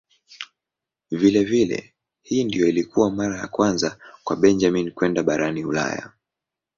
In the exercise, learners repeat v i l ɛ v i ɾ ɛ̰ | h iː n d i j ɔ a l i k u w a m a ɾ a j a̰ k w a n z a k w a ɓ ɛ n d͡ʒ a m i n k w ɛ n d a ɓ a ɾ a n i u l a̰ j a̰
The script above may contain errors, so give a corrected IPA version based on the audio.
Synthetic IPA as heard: v i l ɛ v i l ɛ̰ | h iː n d i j ɔ i l i k u w a m a ɾ a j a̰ k w a n z a k w a ɓ ɛ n d͡ʒ a m i n k w ɛ n d a ɓ a ɾ a n i u l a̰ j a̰